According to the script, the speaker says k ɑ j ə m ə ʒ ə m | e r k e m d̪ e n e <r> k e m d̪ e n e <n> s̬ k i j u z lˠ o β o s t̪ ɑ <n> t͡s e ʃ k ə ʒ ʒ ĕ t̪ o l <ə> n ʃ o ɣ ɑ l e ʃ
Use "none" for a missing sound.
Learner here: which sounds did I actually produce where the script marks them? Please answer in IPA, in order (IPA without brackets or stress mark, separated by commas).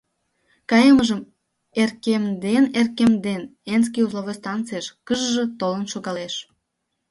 r, n, n, ə